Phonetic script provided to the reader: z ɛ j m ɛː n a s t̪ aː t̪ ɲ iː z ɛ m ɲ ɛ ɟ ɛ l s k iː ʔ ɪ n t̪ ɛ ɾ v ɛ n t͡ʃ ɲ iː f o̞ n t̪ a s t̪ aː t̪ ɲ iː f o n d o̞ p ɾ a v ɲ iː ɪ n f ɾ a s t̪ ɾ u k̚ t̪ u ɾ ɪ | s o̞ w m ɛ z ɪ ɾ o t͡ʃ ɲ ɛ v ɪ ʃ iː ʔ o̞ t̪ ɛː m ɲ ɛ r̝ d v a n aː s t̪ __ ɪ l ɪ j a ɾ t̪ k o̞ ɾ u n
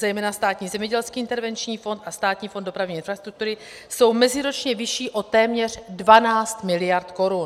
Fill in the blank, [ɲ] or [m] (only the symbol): m